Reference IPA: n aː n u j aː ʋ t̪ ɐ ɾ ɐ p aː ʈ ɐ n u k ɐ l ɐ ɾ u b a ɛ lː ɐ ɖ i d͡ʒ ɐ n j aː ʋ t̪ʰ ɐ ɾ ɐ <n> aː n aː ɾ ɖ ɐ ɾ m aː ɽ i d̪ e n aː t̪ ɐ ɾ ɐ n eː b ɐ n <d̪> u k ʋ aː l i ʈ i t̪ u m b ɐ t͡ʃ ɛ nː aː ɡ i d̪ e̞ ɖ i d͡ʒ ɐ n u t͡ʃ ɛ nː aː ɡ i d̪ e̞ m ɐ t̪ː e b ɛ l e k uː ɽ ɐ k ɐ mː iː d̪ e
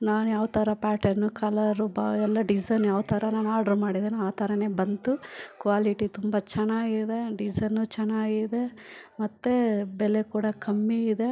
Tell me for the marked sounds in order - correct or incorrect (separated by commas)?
correct, incorrect